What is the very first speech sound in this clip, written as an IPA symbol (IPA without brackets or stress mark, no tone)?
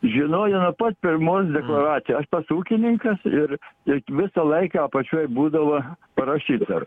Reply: ʒʲ